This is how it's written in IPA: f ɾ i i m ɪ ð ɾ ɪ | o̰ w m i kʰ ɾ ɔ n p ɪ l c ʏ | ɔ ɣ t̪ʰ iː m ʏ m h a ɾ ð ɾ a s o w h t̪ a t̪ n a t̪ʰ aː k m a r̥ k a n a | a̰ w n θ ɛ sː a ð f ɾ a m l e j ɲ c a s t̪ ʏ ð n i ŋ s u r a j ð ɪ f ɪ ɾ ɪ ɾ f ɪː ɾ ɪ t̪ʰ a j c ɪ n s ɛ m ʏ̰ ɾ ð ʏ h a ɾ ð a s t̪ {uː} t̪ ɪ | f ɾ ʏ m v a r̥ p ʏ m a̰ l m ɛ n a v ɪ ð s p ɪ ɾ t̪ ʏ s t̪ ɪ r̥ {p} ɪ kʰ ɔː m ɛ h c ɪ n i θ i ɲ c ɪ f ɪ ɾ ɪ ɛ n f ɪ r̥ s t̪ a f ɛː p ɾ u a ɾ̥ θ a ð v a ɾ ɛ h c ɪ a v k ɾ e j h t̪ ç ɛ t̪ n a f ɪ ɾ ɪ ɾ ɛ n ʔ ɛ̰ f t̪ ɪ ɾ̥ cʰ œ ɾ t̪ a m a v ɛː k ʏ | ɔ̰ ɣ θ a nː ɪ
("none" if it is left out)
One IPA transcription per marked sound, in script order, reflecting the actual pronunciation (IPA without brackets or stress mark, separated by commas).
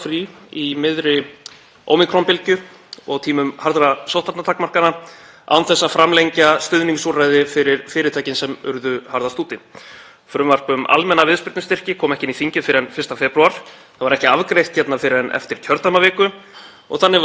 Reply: uː, c